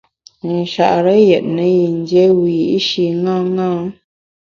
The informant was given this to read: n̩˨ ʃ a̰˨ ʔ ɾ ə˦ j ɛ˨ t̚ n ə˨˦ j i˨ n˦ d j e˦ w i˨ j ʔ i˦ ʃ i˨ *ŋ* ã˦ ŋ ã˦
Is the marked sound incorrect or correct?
correct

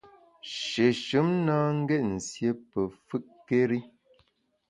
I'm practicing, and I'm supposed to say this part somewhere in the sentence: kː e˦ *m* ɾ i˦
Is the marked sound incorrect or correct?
incorrect: none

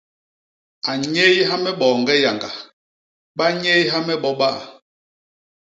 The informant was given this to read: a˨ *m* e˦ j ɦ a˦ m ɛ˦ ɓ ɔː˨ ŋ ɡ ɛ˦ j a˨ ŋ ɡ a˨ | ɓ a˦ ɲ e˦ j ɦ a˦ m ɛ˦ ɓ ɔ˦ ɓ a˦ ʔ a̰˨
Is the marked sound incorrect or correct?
incorrect: ɲ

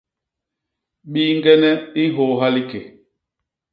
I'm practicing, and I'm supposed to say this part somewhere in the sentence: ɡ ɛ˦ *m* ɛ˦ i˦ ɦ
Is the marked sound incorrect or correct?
incorrect: n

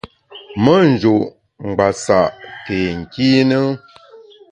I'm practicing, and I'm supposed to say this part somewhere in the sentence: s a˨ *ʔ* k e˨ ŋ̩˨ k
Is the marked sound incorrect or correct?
correct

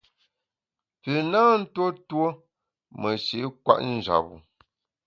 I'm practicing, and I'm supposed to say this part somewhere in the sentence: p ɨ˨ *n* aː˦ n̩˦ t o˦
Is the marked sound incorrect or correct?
correct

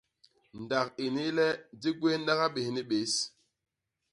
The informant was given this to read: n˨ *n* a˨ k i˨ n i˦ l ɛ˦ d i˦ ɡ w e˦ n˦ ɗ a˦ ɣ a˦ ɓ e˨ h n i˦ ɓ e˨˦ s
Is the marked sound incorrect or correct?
incorrect: d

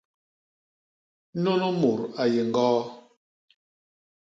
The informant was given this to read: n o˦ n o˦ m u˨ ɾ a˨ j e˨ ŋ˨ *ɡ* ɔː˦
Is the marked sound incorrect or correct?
correct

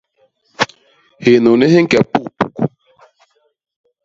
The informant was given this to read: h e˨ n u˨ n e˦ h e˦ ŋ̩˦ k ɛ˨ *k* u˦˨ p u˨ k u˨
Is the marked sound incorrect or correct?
incorrect: p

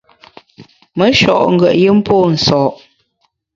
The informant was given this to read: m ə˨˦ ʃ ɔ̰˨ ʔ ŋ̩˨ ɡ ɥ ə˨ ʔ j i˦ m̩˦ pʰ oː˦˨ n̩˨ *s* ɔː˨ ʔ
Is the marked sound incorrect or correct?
correct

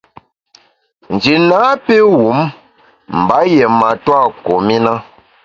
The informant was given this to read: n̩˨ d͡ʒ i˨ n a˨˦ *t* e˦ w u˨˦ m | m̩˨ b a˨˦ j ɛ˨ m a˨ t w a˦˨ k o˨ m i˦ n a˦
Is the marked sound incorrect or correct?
incorrect: p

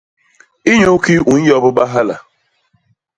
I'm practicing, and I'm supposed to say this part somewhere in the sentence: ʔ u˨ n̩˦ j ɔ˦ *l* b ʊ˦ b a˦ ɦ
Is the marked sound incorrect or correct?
incorrect: none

